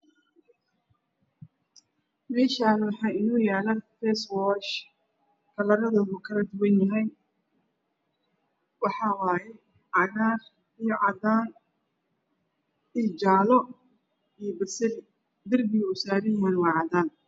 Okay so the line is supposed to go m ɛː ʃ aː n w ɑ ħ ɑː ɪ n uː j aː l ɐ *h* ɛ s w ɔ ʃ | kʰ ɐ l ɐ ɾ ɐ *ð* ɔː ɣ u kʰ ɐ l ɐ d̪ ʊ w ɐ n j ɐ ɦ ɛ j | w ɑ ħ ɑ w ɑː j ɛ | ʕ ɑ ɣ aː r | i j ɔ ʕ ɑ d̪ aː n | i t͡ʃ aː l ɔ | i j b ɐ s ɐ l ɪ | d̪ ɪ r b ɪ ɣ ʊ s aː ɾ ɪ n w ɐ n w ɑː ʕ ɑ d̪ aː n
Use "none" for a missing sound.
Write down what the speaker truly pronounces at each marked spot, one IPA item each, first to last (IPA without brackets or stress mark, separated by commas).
f, ð